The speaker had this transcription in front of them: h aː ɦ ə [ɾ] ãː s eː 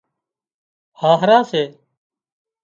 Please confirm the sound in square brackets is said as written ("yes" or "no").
yes